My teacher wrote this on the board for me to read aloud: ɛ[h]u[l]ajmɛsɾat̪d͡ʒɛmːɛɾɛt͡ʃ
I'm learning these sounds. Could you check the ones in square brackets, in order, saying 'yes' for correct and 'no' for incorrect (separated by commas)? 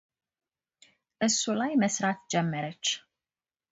no, yes